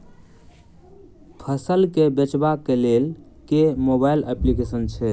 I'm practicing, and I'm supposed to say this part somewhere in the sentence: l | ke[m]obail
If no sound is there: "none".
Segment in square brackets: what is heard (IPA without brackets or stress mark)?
m